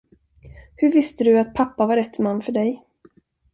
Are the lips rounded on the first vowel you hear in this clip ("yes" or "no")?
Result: yes